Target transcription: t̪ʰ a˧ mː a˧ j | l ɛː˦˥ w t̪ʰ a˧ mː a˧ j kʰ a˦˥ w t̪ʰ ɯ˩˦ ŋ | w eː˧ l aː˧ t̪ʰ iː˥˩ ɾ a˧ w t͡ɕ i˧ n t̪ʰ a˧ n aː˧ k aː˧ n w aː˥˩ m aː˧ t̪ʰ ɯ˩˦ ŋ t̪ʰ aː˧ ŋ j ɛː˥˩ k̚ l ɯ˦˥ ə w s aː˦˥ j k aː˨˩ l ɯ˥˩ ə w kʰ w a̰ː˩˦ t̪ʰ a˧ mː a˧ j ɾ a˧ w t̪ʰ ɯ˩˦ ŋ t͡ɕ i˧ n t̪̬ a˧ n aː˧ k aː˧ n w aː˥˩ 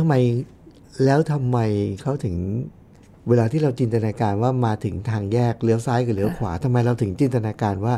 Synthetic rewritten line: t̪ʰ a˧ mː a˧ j | l ɛː˦˥ w t̪ʰ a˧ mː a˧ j kʰ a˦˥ w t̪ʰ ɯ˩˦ ŋ | w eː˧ l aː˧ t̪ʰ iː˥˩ ɾ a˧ w t͡ɕ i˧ n t̪ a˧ n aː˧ k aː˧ n w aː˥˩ m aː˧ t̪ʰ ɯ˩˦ ŋ t̪ʰ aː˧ ŋ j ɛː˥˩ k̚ l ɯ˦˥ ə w s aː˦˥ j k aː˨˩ l ɯ˧˦ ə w kʰ w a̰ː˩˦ t̪ʰ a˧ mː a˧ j ɾ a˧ w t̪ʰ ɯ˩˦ ŋ t͡ɕ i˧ n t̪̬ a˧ n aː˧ k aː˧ n w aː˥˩